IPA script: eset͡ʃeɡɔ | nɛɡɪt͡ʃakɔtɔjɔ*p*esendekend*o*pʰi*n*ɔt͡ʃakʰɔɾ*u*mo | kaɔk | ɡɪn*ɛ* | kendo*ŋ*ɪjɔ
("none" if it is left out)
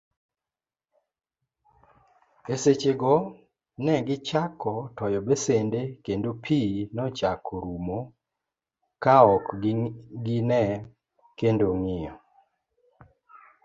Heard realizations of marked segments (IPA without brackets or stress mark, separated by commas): b, o, n, u, ɛ, ŋ